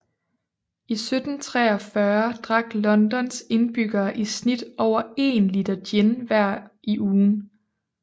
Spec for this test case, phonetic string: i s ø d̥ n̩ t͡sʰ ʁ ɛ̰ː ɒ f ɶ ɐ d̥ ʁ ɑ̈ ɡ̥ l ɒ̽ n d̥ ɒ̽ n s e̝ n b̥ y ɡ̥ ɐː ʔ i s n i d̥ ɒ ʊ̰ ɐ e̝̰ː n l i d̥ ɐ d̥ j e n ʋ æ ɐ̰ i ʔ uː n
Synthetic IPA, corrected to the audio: i s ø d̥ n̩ t͡sʰ ʁ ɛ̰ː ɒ f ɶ ɐ d̥ ʁ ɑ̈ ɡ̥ l ɒ̽ n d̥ ɒ̽ n s e̝ n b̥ y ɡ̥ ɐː ʔ i s n i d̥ ɒ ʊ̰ ɐ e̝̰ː n l i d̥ ɐ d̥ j e n ʋ æ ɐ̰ i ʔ uː n